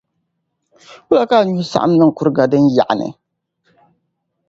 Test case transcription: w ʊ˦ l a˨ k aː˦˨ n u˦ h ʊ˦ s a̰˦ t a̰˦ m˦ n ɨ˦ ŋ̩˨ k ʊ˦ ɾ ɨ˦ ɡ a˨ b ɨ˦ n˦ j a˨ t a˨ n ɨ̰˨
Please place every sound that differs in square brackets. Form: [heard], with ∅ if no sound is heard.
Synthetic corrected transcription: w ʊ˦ l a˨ k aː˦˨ [ɲ] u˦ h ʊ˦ s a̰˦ [ʔ] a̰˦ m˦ n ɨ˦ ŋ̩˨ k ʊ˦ ɾ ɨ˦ ɡ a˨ [d] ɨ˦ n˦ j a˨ [ʔ] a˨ n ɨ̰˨